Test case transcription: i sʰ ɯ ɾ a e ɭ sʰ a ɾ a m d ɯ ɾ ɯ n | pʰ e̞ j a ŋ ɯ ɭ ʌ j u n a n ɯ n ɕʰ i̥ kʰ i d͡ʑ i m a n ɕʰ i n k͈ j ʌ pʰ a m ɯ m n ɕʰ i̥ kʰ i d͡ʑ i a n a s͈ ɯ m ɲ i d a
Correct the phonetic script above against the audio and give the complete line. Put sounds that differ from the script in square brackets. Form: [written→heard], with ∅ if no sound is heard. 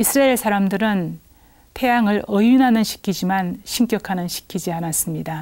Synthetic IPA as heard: i sʰ ɯ ɾ a e ɭ sʰ a ɾ a m d ɯ ɾ ɯ n | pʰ e̞ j a ŋ ɯ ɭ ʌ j u n a n ɯ n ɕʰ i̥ kʰ i d͡ʑ i m a n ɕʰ i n k͈ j ʌ [pʰ→kʰ] a [m→n] ɯ [m→∅] n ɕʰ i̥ kʰ i d͡ʑ i a n a s͈ ɯ m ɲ i d a